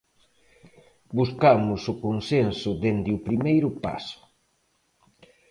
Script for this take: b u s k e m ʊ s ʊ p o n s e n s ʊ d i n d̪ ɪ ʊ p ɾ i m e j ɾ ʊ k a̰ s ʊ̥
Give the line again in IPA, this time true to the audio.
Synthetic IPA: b u s k a m ʊ s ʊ k o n s e n s ʊ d e n d̪ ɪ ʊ p ɾ i m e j ɾ ʊ p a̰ s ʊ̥